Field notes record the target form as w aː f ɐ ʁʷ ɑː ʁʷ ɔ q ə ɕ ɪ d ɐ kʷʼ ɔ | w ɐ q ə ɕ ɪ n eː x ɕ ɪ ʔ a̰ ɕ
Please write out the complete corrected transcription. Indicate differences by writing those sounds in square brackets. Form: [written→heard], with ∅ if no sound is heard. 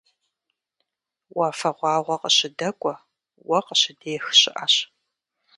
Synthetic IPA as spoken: w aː f ɐ ʁʷ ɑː ʁʷ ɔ q ə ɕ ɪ d ɐ kʷʼ ɔ | w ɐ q ə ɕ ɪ [n→d] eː x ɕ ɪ ʔ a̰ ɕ